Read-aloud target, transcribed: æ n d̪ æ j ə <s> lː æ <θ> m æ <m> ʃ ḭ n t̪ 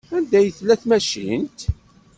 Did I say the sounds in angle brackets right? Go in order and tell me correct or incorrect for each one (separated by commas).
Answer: incorrect, correct, incorrect